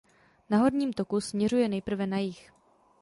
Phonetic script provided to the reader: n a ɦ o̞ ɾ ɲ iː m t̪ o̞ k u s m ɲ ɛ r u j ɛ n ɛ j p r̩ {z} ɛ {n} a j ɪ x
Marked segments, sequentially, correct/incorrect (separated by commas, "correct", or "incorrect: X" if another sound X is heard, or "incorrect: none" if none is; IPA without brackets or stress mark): incorrect: v, correct